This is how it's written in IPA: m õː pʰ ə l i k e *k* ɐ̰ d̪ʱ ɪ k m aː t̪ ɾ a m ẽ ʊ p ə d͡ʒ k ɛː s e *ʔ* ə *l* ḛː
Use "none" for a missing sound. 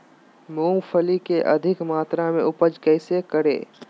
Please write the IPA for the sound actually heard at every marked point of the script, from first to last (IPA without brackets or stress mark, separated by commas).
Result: ʔ, k, ɾ